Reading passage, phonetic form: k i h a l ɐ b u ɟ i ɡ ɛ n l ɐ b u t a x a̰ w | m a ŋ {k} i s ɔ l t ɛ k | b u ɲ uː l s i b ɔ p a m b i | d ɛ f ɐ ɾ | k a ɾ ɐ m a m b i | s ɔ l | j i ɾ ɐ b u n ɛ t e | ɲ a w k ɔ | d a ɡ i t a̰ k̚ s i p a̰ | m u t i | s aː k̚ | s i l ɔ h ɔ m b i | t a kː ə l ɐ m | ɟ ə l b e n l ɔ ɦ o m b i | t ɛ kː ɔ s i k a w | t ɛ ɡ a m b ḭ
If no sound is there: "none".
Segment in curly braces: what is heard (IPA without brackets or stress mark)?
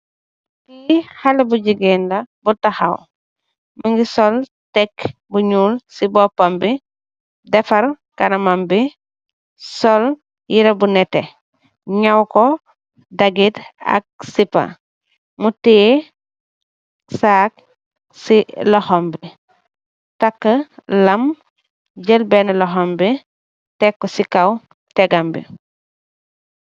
ɡ